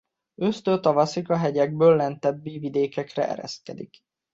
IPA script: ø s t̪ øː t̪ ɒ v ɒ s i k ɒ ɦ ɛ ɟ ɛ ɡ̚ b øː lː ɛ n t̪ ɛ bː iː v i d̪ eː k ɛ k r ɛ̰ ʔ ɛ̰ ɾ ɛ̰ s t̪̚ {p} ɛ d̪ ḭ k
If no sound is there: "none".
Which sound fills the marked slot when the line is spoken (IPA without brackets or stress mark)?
k